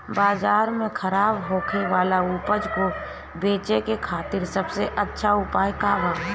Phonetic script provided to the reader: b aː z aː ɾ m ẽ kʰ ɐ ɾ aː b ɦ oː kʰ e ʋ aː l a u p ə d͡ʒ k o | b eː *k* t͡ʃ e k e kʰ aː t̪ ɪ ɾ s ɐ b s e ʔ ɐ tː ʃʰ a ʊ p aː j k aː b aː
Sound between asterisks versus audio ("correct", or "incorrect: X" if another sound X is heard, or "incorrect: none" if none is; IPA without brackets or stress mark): incorrect: none